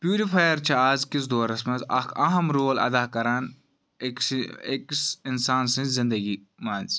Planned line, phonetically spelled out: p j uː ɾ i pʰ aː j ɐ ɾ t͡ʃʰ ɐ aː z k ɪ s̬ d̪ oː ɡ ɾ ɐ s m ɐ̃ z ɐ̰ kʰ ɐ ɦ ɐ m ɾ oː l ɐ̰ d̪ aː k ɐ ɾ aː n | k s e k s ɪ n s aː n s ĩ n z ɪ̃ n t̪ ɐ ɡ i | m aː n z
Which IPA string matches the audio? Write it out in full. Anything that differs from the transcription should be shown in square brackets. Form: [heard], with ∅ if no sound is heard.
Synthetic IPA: p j uː ɾ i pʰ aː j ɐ ɾ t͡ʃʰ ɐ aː z k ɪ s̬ d̪ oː [∅] ɾ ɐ s m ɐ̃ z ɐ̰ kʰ ɐ ɦ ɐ m ɾ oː l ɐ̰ d̪ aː k ɐ ɾ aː n | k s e k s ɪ n s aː n s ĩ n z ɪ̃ n [d̪] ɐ ɡ i | m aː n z